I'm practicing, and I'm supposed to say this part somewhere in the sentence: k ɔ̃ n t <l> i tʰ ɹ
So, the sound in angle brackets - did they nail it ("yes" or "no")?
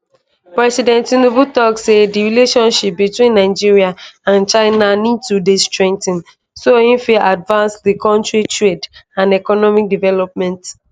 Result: no